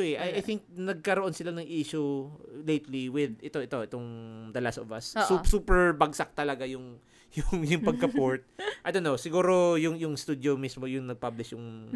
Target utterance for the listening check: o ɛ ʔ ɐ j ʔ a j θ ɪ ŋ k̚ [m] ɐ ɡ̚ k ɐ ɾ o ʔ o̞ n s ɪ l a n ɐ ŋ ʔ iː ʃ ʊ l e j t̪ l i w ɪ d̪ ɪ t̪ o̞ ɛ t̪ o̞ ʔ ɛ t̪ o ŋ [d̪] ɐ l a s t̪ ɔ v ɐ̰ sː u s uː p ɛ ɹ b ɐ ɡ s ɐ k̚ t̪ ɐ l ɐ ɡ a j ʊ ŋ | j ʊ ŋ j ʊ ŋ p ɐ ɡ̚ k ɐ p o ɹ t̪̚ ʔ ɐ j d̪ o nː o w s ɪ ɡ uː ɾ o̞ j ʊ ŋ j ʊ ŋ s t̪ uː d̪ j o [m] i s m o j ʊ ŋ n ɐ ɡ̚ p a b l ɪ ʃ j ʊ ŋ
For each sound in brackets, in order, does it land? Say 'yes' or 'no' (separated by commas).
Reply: no, yes, yes